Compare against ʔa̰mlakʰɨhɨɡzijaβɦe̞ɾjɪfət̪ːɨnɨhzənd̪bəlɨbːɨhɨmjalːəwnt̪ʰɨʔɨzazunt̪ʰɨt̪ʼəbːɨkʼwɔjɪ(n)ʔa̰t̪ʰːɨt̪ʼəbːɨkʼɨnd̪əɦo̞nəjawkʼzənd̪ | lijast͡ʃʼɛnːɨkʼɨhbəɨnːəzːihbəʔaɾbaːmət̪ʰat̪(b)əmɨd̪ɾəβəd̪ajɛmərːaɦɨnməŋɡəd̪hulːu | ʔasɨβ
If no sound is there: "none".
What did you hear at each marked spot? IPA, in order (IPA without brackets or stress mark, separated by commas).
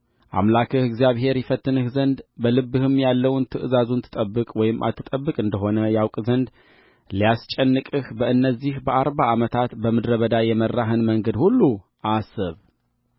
m, b